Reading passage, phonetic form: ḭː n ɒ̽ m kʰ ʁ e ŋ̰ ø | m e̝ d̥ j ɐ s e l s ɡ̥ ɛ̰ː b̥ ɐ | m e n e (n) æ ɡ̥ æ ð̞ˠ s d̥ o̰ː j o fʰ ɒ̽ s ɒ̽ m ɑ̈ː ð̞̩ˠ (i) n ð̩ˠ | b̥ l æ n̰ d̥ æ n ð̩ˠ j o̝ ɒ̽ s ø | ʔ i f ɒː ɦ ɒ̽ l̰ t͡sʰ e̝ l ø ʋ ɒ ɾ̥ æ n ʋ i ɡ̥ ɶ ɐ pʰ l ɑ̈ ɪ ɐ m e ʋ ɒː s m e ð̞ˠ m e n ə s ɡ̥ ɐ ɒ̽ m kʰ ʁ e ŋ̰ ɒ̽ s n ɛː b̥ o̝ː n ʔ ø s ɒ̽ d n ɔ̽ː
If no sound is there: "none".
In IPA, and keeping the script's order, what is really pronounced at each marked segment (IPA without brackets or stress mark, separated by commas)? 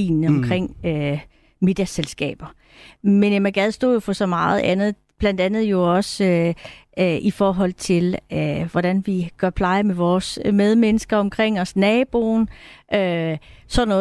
m, æ